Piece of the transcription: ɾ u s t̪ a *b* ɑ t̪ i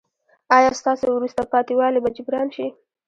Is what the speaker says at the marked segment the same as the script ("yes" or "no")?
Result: no